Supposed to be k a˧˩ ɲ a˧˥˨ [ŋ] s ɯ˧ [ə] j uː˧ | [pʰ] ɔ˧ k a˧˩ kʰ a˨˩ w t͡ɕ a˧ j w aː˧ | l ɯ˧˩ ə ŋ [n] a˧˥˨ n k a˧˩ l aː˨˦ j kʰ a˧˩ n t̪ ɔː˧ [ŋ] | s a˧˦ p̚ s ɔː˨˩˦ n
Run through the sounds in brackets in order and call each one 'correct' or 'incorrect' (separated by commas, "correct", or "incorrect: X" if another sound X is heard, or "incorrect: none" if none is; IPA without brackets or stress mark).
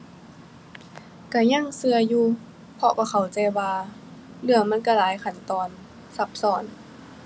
correct, incorrect: ɐ, correct, incorrect: m, incorrect: n